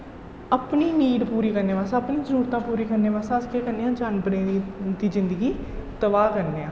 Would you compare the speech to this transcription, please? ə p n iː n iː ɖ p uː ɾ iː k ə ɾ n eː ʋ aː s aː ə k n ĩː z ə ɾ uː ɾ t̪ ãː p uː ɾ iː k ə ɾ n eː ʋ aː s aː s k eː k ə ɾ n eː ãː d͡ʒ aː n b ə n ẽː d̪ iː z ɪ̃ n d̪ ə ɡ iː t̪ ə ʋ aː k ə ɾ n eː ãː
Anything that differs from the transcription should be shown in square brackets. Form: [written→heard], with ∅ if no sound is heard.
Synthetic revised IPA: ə p n iː n iː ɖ p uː ɾ iː k ə ɾ n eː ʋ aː s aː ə [k→p] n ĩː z ə ɾ uː ɾ t̪ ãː p uː ɾ iː k ə ɾ n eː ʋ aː s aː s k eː k ə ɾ n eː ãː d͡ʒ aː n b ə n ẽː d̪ iː z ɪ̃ n d̪ ə ɡ iː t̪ ə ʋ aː k ə ɾ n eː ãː